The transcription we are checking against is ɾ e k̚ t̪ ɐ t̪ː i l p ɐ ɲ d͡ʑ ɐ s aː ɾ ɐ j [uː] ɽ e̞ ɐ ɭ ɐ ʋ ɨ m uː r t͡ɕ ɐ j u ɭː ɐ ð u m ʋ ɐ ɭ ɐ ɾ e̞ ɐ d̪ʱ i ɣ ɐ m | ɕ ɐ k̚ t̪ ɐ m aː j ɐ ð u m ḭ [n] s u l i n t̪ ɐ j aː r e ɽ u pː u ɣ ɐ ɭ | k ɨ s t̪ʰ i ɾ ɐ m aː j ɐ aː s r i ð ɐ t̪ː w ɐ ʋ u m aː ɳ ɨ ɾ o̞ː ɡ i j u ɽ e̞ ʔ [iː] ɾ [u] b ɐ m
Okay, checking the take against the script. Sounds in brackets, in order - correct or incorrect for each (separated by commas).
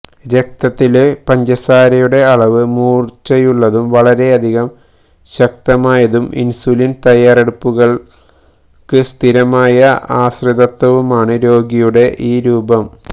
incorrect, correct, correct, incorrect